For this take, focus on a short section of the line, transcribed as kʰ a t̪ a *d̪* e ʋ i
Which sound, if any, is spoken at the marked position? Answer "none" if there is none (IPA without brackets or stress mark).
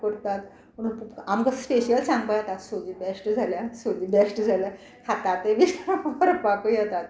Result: t̪